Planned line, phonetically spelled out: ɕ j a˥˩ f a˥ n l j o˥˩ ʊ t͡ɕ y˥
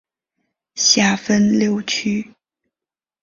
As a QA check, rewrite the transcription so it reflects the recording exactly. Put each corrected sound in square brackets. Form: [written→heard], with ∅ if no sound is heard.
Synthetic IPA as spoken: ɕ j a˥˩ f [a˥→ə˥] n l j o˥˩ ʊ [t͡ɕ→t͡ɕʰ] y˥

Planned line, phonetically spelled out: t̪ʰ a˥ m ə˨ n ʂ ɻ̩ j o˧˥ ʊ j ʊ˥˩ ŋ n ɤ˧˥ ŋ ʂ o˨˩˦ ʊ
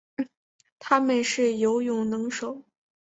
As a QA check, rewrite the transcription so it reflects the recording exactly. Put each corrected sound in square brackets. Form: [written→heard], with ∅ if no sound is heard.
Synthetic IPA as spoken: t̪ʰ a˥ m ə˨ n ʂ ɻ̩ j o˧˥ ʊ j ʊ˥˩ ŋ n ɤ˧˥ ŋ ʂ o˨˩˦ ʊ

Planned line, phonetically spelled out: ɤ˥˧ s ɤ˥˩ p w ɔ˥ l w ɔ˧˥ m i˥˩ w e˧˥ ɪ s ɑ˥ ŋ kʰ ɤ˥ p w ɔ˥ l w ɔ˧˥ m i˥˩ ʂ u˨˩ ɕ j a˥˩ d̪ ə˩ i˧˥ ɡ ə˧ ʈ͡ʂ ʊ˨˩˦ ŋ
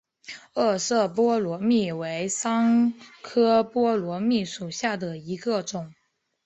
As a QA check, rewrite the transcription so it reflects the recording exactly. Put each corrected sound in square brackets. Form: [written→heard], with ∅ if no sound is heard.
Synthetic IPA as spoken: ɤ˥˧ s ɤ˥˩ p w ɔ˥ l w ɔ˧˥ m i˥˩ w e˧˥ ɪ s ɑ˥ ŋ kʰ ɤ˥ p w ɔ˥ l w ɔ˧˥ m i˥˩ ʂ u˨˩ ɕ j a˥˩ d̪ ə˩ i˧˥ ɡ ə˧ ʈ͡ʂ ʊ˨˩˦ ŋ

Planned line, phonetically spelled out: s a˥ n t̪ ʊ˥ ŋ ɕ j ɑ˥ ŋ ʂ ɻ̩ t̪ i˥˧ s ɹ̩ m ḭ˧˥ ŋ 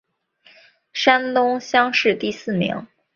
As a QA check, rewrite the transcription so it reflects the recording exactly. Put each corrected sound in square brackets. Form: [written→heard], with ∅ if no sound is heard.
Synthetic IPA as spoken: [s→ʂ] a˥ n t̪ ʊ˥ ŋ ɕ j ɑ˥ ŋ ʂ ɻ̩ t̪ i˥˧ s ɹ̩ m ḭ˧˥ ŋ

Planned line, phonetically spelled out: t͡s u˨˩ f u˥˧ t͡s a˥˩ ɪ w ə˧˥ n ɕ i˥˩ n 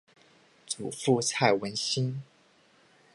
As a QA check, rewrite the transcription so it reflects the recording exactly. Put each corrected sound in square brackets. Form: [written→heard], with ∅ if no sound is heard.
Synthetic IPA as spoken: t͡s u˨˩ f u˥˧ [t͡s→t͡sʰ] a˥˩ ɪ w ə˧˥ n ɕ [i˥˩→i˥] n

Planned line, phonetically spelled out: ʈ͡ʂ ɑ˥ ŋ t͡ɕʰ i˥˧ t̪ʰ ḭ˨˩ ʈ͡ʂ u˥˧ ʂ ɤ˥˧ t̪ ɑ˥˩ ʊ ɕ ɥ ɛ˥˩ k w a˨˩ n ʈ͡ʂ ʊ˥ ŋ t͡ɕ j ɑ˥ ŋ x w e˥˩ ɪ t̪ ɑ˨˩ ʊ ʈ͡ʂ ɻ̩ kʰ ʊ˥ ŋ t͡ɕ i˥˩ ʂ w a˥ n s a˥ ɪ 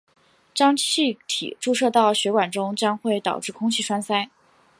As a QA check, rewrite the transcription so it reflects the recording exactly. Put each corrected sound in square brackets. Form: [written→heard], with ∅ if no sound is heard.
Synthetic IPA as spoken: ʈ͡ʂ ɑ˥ ŋ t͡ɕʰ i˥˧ t̪ʰ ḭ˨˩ ʈ͡ʂ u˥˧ ʂ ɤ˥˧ t̪ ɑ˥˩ ʊ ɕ ɥ [ɛ˥˩→ɛ˧˥] k w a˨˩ n ʈ͡ʂ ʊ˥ ŋ t͡ɕ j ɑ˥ ŋ x w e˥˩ ɪ t̪ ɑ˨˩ ʊ ʈ͡ʂ ɻ̩ kʰ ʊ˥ ŋ [t͡ɕ→t͡ɕʰ] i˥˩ ʂ w a˥ n s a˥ ɪ

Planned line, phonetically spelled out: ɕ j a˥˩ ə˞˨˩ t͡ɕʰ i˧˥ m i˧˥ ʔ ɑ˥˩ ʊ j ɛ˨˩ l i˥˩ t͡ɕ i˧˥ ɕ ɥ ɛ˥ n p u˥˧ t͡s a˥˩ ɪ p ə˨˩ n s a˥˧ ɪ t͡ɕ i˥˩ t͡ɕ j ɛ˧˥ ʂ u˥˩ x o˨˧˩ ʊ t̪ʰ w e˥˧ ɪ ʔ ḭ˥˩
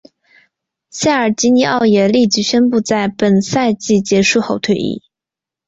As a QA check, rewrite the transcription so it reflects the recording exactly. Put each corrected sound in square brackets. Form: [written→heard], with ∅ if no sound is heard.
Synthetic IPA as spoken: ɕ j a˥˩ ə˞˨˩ [t͡ɕʰ→t͡ɕ] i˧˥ [m→n] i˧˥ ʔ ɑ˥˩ ʊ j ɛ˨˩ l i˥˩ t͡ɕ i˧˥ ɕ ɥ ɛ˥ n p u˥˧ t͡s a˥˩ ɪ p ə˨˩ n s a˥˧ ɪ t͡ɕ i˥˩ t͡ɕ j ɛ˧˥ ʂ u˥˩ x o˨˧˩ ʊ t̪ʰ w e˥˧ ɪ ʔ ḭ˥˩

